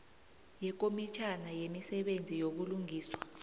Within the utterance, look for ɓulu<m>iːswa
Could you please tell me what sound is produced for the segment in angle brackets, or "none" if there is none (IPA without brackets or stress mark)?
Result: ŋ